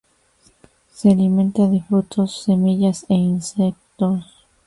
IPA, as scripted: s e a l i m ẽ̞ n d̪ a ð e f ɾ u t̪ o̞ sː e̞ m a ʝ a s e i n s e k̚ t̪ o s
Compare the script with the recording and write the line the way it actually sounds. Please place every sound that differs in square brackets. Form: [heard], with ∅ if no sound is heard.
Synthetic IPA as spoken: s e a l i m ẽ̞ n [t̪] a ð e f ɾ u t̪ o̞ sː e̞ m [i] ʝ a s e i n s e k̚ t̪ o s